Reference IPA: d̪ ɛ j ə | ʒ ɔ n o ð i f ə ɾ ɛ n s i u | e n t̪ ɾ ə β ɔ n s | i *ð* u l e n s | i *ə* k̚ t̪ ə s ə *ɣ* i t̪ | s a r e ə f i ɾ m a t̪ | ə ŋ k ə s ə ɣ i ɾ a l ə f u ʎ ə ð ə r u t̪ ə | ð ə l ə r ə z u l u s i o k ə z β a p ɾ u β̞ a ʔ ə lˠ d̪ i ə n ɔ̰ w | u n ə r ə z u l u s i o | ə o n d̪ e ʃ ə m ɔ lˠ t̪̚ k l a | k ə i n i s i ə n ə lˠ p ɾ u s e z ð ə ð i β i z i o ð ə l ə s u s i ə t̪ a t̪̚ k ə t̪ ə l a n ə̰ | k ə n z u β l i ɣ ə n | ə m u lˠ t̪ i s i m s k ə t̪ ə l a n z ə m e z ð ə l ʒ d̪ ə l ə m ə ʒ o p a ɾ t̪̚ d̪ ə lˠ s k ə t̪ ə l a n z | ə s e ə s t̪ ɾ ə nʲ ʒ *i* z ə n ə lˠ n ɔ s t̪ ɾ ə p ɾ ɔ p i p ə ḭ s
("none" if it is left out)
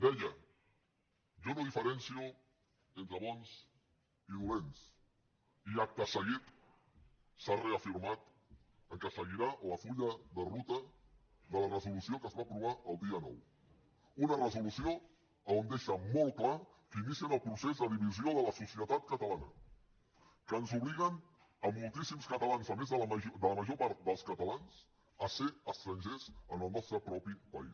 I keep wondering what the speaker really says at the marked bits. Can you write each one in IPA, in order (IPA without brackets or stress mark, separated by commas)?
ð, a, ɣ, e